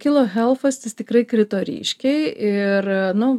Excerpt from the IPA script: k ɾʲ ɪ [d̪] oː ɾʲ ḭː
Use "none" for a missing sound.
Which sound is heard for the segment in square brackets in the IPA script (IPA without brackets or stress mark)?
t̪